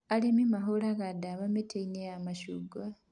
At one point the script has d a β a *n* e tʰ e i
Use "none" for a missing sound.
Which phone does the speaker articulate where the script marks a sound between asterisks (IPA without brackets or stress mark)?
m